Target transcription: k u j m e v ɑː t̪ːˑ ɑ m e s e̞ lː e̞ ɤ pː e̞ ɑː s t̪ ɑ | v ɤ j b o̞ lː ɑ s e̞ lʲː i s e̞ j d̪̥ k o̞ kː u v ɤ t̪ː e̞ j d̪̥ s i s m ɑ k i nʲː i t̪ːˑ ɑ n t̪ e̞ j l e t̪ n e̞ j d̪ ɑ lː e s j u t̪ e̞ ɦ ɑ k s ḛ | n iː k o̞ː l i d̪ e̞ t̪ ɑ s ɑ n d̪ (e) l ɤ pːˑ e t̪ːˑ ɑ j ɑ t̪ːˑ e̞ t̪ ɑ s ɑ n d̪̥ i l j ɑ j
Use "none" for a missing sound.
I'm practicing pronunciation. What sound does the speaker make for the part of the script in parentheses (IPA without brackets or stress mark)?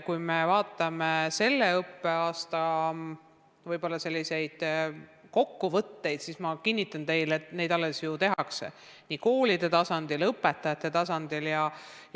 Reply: i